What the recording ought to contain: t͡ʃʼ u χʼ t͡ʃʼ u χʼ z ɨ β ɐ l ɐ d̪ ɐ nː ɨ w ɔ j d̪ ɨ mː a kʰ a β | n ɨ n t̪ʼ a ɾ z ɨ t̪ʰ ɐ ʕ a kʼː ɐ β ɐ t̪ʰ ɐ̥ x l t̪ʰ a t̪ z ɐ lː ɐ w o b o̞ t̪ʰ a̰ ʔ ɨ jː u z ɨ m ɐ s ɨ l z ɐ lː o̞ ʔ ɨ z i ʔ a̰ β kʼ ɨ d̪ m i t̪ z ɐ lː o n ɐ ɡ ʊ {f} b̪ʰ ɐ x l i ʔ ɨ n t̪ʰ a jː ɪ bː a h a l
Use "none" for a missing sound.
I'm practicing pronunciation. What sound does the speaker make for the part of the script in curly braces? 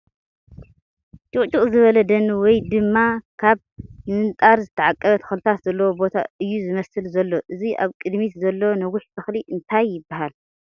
ħ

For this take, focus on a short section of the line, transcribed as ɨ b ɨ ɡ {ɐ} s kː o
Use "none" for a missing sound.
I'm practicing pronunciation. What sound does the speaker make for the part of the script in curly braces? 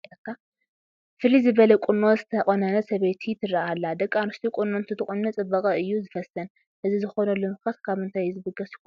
ɐ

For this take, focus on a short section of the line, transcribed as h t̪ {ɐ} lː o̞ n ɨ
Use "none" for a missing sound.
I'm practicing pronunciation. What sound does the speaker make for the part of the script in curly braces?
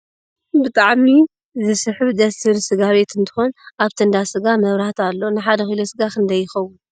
a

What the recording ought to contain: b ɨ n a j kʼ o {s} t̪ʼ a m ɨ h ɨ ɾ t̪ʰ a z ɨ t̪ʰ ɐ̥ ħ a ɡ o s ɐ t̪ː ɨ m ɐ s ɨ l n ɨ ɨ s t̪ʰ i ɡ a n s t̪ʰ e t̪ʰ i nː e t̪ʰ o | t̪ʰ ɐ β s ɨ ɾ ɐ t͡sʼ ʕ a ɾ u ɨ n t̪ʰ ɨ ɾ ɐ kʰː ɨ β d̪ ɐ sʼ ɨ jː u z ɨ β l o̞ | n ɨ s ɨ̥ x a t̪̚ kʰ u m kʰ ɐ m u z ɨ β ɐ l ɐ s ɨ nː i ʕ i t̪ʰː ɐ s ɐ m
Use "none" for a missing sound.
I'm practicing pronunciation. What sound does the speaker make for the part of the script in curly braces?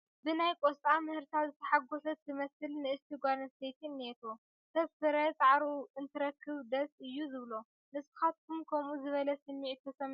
s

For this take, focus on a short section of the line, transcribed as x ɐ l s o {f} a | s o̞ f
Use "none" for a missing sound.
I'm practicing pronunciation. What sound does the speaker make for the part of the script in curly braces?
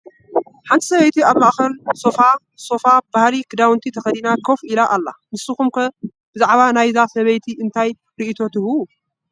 f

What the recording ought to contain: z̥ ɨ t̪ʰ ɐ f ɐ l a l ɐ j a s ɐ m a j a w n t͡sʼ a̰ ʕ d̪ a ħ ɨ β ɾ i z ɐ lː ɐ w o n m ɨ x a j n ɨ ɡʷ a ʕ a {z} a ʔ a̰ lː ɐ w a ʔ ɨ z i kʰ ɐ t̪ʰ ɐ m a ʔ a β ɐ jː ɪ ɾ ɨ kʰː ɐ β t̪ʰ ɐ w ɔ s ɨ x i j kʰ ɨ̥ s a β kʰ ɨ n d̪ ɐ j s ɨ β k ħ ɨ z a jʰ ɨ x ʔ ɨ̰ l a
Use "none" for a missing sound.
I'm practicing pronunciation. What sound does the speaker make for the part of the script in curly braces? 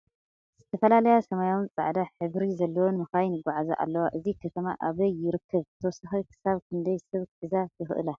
z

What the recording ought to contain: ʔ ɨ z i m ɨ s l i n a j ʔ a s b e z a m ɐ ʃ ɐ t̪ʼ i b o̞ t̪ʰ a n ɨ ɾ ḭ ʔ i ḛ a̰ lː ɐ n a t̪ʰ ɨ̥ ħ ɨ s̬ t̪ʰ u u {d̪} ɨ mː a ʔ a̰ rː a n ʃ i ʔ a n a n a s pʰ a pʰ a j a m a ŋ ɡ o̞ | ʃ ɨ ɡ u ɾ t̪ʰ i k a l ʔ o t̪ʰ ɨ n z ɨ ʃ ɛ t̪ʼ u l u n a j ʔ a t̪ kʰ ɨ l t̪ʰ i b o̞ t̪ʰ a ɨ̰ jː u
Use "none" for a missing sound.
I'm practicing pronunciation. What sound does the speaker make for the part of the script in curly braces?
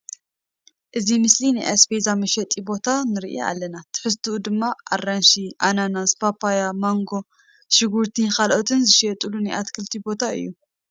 d̪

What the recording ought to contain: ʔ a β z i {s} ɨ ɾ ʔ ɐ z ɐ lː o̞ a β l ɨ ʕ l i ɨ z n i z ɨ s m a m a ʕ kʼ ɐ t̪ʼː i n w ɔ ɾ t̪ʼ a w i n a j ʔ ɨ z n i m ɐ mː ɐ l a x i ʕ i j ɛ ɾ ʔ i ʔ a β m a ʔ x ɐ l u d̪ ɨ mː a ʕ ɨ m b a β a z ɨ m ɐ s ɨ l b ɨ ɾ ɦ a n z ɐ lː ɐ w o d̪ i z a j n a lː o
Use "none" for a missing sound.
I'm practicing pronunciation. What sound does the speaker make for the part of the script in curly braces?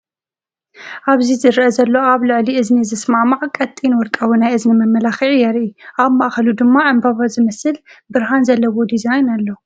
z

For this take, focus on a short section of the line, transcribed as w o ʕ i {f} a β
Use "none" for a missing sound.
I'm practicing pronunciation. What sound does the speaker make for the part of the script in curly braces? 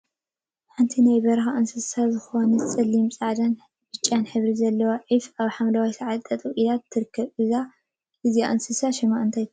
f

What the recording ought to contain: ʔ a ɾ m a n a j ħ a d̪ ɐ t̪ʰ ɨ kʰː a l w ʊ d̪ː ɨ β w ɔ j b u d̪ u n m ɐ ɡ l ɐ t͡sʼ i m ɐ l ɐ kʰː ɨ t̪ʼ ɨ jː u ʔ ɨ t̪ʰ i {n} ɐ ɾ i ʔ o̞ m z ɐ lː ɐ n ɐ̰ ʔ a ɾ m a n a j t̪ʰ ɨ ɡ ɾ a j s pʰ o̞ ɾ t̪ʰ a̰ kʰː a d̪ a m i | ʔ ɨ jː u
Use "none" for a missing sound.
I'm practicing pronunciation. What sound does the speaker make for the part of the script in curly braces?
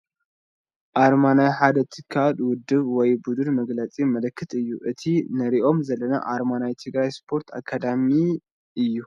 n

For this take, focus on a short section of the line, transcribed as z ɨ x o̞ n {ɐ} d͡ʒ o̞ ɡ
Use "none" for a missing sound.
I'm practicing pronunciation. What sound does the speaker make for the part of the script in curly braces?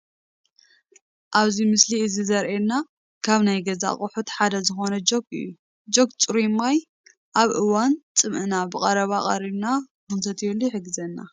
ɐ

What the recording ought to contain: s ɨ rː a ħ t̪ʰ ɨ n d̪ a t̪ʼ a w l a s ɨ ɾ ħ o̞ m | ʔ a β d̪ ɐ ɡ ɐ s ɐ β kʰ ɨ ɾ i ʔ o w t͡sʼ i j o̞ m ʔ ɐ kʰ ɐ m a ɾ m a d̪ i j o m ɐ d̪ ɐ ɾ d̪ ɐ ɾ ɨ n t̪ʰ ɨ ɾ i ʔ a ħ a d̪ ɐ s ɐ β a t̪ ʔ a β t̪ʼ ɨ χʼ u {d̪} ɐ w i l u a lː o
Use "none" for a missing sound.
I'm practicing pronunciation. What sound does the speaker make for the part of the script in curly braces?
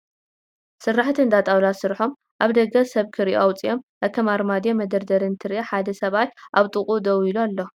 d̪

